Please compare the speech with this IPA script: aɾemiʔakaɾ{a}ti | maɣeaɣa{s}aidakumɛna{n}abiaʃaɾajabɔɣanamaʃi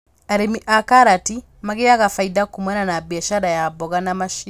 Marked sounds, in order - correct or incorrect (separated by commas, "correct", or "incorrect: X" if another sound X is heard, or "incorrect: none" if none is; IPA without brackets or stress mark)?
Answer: correct, incorrect: f, correct